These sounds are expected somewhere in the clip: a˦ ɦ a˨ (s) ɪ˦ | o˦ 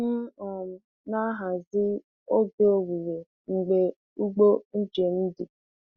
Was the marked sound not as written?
yes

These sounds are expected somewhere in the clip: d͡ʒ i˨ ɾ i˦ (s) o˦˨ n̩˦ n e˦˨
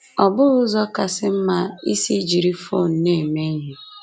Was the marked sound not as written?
yes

